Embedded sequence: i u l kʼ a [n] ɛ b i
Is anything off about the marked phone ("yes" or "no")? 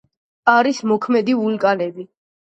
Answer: no